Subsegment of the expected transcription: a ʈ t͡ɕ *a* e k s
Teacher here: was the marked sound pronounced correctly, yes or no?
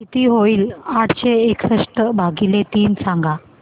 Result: no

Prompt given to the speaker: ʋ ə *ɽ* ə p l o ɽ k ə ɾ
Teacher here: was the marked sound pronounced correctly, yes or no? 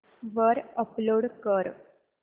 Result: no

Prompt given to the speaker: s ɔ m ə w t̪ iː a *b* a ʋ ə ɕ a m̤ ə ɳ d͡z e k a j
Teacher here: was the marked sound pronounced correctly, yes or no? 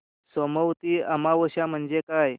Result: no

